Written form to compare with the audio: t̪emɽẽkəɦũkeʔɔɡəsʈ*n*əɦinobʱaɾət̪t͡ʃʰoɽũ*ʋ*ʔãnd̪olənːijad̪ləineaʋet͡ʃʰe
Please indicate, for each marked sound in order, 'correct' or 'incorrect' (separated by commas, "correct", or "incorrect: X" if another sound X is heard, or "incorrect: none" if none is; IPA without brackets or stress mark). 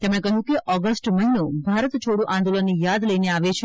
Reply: incorrect: m, incorrect: none